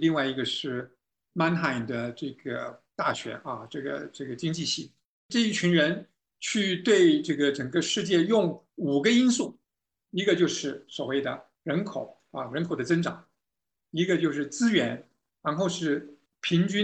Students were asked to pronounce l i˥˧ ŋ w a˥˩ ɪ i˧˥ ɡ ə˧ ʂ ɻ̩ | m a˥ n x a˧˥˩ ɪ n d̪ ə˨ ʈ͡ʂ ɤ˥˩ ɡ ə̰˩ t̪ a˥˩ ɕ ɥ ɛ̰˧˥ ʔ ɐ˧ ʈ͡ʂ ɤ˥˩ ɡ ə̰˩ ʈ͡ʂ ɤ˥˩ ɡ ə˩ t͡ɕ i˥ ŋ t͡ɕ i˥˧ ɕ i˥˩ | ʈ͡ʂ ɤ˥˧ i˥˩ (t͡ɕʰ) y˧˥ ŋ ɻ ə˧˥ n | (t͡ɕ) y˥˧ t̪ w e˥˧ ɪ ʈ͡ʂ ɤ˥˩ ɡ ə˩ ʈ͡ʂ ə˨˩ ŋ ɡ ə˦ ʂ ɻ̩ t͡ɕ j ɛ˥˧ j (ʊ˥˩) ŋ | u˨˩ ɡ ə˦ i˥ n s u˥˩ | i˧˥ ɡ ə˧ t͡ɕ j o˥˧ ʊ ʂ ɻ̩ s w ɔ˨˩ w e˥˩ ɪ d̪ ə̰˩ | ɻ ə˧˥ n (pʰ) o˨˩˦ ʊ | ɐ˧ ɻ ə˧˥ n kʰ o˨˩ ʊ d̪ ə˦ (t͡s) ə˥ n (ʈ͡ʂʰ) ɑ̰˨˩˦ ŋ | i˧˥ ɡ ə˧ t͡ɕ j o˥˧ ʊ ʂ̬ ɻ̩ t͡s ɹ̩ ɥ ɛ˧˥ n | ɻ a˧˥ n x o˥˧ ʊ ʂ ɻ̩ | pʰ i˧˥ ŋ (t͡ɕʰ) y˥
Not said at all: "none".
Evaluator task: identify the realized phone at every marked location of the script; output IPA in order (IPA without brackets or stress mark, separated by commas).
t͡ɕʰ, t͡ɕʰ, ʊ˥˩, kʰ, t͡s, ʈ͡ʂ, t͡ɕ